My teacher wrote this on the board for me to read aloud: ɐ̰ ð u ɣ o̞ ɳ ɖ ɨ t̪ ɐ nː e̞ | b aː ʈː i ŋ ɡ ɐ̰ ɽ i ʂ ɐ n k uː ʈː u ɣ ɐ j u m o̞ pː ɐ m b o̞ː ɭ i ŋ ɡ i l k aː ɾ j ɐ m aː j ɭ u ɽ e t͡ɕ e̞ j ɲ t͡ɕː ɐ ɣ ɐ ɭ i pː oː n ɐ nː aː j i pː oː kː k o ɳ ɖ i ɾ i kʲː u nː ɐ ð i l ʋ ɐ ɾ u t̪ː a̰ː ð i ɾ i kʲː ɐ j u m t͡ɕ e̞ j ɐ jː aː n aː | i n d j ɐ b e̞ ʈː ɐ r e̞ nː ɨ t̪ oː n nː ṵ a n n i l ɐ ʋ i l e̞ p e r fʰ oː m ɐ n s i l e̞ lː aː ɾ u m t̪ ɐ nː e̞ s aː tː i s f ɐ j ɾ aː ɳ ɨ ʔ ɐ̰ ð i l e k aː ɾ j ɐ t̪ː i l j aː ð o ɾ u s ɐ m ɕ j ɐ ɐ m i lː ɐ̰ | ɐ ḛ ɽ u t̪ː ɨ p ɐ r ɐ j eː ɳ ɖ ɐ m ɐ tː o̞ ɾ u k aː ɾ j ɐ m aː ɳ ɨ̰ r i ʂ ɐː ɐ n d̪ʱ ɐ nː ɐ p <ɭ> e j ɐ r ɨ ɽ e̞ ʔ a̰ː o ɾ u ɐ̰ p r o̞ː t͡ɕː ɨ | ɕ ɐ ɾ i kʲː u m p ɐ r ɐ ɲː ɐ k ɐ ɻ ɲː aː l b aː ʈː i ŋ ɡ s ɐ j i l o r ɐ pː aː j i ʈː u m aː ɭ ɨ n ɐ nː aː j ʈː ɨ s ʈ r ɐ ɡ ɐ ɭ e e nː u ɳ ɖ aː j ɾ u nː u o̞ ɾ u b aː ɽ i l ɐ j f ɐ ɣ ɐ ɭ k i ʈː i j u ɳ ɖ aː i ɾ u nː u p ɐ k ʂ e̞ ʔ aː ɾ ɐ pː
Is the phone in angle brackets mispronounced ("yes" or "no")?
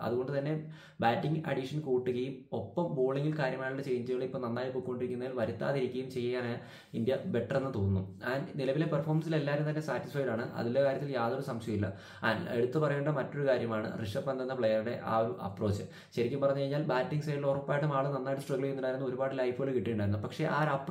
no